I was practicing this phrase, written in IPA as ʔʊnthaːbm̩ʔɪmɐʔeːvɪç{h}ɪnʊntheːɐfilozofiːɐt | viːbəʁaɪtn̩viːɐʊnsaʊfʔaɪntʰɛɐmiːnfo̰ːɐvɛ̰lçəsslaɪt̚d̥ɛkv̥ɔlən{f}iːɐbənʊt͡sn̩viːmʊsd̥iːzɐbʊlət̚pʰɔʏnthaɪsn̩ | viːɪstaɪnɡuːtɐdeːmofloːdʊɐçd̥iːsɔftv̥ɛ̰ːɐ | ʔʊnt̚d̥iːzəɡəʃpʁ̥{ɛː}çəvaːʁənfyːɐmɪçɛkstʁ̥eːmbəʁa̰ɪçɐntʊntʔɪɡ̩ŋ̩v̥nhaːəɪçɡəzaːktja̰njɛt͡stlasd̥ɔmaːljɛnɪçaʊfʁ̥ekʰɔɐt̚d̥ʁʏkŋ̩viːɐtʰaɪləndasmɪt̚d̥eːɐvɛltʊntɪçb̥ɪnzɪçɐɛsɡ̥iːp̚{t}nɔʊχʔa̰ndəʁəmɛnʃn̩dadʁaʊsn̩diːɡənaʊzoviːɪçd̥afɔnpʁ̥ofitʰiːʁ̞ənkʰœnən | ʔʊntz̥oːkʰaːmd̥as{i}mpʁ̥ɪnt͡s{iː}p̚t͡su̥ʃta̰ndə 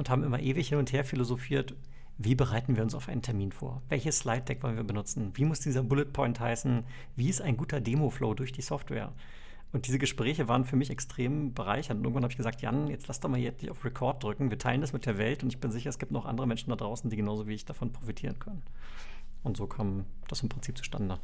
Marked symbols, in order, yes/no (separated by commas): yes, no, yes, yes, no, yes